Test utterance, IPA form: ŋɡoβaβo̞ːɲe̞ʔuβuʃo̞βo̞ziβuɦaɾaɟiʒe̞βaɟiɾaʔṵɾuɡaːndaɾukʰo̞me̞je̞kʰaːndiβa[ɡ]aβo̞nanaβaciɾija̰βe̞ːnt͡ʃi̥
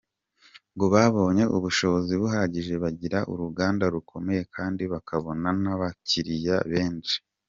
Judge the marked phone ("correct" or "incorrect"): incorrect